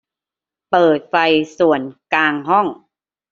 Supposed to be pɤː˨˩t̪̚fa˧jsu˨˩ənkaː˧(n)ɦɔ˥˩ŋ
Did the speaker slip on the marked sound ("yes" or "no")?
yes